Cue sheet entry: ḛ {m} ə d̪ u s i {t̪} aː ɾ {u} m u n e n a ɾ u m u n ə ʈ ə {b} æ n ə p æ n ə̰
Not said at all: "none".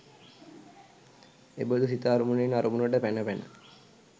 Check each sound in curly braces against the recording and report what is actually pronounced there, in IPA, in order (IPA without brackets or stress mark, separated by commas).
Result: b, t̪, u, p